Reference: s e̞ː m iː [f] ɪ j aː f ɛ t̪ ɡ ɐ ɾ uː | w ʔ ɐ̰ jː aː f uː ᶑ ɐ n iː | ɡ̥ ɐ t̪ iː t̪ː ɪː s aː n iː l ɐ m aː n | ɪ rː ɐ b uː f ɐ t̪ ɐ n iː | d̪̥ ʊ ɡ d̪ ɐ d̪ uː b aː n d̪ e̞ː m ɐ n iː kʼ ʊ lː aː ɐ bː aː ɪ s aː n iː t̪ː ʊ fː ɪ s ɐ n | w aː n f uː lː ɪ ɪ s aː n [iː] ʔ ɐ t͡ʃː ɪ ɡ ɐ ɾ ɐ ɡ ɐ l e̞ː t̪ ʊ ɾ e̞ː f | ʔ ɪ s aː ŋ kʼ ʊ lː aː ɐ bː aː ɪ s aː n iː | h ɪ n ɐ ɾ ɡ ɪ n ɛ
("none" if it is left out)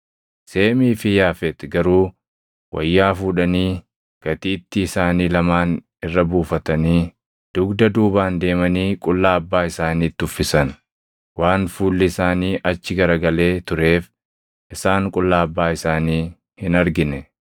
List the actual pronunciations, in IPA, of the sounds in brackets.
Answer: f, iː

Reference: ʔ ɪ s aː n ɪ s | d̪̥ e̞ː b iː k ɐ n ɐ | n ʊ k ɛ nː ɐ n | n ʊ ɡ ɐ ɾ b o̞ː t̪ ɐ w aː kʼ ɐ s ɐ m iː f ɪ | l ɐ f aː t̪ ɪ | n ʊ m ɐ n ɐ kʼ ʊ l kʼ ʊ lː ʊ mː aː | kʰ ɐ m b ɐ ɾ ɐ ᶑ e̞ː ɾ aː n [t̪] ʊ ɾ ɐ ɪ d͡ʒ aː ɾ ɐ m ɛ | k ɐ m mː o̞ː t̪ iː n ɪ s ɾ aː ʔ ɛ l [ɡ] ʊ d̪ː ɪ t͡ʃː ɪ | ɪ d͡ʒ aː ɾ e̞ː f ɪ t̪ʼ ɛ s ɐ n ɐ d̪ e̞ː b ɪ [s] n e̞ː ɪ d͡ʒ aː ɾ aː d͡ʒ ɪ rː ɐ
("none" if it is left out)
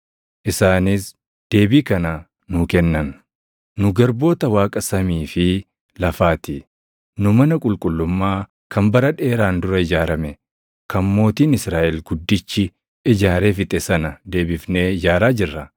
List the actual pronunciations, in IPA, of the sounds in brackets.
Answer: d̪, ɡ, f

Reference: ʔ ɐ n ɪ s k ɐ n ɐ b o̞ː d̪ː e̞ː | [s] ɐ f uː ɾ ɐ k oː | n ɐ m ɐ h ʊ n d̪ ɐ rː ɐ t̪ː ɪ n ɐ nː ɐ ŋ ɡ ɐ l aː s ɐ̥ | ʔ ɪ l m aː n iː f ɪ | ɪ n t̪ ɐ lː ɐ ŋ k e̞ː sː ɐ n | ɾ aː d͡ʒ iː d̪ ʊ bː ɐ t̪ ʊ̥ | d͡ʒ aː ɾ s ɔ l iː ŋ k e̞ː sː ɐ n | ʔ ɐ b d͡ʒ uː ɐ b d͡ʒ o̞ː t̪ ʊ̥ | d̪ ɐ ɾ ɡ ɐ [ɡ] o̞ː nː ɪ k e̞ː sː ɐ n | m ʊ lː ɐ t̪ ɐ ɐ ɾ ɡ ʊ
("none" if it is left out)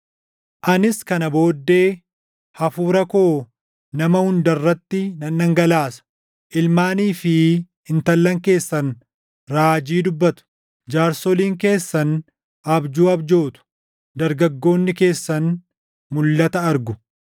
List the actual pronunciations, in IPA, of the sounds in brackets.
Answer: h, ɡː

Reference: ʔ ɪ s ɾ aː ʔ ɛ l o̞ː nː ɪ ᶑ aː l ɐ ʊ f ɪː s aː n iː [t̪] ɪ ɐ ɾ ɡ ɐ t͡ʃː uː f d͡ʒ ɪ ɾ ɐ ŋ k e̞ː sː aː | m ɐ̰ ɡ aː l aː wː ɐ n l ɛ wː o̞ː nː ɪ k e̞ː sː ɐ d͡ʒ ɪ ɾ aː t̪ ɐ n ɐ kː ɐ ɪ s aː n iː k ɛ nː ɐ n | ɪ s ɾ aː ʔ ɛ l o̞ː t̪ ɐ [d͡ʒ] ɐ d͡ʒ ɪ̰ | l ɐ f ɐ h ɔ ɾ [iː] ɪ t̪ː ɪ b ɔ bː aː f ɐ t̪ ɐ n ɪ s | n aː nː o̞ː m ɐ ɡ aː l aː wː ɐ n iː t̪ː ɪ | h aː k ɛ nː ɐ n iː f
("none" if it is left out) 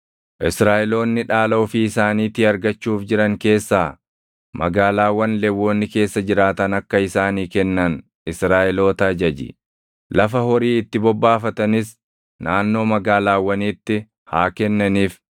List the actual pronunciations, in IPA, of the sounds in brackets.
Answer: t̪, d͡ʒ, iː

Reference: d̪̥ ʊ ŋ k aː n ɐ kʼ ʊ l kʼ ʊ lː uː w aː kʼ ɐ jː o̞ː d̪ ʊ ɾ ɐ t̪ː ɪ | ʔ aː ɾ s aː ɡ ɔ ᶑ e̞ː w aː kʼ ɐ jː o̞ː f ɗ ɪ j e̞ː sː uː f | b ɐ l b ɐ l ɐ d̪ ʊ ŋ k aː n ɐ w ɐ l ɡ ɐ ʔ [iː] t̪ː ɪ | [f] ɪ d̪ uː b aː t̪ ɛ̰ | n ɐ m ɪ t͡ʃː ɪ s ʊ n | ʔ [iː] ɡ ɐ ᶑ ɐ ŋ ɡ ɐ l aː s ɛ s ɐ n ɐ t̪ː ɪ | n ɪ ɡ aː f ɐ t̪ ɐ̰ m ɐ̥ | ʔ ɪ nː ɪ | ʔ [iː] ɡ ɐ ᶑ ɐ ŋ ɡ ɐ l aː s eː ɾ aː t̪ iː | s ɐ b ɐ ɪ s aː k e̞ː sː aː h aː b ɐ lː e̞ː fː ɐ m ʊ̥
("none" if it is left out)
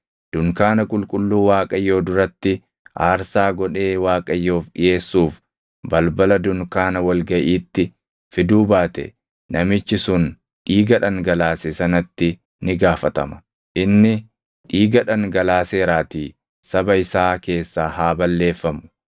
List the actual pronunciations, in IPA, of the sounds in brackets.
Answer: iː, f, iː, iː

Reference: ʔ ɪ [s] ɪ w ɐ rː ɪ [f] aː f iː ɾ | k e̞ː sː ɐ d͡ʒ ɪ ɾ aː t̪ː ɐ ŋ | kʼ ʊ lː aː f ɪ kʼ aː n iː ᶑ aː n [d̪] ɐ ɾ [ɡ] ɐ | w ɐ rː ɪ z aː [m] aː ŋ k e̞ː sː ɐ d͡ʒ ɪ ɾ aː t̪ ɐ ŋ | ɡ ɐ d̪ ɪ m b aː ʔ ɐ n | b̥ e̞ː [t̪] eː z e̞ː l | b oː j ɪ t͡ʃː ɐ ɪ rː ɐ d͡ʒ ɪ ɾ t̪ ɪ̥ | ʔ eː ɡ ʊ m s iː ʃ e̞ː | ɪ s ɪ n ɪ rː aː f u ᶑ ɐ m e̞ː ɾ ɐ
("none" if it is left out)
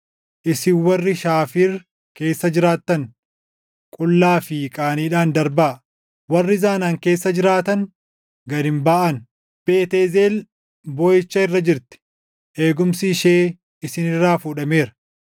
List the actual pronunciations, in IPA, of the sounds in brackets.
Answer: s, ʃ, d̪, b, n, t̪

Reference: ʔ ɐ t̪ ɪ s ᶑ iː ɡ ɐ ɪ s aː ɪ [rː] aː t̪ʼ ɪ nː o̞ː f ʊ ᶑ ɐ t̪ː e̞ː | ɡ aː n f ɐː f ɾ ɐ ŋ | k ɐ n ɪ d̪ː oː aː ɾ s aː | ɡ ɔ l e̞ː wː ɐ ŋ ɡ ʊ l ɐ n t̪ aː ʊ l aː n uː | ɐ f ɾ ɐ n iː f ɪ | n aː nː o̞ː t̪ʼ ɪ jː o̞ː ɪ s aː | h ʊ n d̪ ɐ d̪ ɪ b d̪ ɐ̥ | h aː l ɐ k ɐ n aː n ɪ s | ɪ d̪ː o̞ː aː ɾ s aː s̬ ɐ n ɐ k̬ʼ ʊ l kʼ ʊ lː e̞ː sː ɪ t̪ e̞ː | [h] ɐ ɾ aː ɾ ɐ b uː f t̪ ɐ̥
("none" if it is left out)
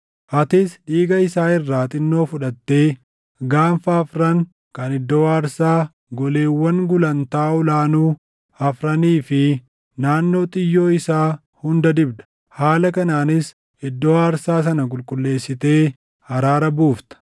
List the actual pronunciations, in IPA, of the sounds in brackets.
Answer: rː, h

